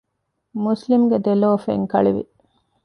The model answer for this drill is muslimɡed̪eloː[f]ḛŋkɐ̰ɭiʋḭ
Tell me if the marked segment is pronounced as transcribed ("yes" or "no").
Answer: yes